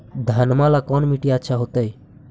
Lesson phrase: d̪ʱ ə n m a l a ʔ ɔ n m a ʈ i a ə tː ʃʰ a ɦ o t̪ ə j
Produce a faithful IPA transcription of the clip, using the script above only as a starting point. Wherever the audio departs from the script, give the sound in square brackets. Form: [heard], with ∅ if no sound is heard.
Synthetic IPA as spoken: d̪ʱ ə n m a l a [k] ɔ n m [i] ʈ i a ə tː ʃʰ a ɦ o t̪ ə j